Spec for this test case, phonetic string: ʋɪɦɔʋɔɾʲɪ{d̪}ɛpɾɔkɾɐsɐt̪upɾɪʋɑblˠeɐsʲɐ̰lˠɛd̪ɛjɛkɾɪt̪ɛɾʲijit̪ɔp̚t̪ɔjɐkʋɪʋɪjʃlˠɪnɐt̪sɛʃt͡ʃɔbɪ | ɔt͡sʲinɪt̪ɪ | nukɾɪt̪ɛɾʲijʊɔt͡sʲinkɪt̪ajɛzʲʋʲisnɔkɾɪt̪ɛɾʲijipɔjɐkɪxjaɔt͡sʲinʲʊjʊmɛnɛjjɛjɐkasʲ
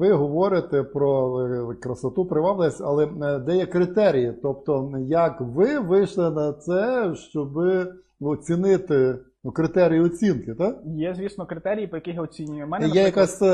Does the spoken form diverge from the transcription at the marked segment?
yes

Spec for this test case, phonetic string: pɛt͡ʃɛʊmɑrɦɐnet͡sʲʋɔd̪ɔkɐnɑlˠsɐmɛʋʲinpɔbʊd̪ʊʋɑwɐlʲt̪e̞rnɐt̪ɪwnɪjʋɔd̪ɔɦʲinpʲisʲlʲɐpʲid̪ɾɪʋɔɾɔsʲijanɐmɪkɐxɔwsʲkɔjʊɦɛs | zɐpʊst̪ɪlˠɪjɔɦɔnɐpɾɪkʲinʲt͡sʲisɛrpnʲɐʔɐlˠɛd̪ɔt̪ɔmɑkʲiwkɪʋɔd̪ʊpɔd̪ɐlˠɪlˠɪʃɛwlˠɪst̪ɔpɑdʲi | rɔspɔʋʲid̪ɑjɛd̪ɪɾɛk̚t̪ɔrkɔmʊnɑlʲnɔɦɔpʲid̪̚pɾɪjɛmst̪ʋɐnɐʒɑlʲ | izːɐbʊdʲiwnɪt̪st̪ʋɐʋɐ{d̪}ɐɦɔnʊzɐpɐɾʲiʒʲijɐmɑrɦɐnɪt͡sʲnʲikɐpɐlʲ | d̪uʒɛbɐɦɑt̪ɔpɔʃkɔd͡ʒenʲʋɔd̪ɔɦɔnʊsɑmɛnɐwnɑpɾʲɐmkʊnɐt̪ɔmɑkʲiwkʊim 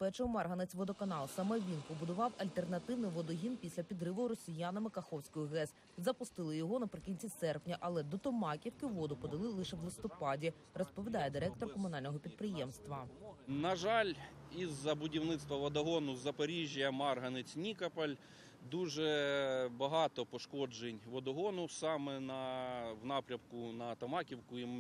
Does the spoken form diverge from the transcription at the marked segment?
no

